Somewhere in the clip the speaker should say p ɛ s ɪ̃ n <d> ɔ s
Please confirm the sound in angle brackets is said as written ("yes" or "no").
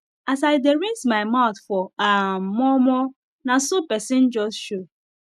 no